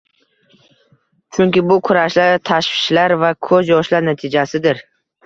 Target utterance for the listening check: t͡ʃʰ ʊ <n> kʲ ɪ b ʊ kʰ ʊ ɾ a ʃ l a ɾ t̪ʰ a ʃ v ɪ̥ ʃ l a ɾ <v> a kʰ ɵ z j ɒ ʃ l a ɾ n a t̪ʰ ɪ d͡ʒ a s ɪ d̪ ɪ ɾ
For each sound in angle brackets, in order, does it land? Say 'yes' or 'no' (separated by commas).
no, yes